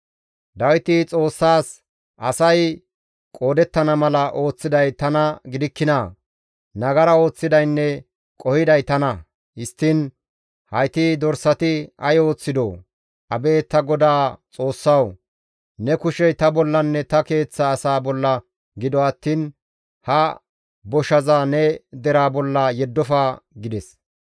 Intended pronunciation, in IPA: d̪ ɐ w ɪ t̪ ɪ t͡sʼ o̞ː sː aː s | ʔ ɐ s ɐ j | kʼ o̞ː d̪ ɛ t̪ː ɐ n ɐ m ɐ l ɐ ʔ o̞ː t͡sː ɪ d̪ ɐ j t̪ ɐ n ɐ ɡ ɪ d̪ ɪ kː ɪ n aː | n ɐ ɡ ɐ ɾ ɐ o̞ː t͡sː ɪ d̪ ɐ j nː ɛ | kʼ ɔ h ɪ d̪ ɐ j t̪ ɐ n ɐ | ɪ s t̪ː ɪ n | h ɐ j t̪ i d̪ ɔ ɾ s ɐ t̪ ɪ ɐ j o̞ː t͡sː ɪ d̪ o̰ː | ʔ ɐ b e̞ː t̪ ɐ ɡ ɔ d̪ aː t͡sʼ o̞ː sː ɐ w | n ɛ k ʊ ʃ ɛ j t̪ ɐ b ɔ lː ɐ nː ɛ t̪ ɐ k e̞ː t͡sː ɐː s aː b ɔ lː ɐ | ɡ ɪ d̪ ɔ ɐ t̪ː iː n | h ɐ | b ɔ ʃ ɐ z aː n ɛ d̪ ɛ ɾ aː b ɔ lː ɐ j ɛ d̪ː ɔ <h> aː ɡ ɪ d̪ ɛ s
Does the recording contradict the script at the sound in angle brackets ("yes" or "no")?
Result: yes